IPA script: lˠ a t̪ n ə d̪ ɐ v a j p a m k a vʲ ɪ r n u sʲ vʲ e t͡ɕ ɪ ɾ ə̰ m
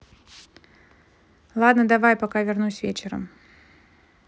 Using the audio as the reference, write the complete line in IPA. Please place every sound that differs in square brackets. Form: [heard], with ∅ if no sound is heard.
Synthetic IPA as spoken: lˠ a [d̪] n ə d̪ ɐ v a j p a [∅] k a vʲ ɪ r n u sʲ vʲ e t͡ɕ ɪ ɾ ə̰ m